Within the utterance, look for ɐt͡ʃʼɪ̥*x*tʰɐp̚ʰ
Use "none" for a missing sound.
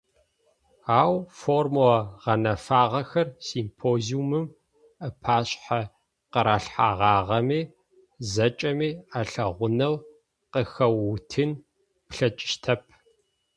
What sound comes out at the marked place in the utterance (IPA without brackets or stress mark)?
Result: ʃ